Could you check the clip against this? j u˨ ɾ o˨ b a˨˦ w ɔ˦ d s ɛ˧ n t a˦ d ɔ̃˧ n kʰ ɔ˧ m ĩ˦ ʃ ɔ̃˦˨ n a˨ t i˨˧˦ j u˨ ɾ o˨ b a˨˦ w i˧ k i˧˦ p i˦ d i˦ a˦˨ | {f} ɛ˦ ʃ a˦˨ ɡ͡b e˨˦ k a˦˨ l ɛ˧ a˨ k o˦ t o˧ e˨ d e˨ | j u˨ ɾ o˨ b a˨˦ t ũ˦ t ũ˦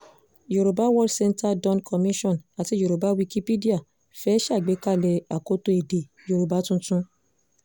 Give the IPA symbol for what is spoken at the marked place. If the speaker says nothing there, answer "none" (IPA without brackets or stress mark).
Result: f